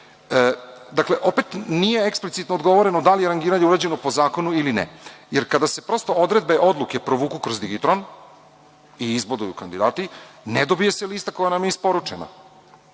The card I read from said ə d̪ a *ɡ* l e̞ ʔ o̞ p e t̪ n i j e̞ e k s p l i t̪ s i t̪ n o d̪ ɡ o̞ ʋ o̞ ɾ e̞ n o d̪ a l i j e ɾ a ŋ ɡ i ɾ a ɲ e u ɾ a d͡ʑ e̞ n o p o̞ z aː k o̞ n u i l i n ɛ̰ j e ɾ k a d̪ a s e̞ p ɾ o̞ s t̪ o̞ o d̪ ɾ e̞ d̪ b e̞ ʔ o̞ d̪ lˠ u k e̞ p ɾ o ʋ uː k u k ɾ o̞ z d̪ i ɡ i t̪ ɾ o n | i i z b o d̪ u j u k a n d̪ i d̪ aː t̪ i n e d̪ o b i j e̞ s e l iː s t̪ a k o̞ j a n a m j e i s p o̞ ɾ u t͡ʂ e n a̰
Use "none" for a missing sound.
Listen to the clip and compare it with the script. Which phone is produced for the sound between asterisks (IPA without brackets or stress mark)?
k